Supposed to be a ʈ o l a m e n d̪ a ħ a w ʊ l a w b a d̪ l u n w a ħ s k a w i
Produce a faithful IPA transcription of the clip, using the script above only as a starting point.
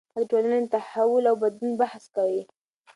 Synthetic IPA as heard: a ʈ o l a n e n t̪ a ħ a w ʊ l a w b a d̪ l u n b a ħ s k a w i